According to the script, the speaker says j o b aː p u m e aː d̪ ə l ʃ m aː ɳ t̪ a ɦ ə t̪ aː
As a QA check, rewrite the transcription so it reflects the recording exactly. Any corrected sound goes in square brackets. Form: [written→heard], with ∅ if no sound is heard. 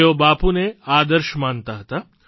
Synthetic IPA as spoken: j o b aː p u [m→n] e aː d̪ ə [l→ɾ] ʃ m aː [ɳ→n] t̪ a ɦ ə t̪ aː